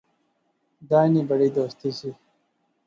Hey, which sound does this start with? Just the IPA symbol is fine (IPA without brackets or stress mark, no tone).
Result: d̪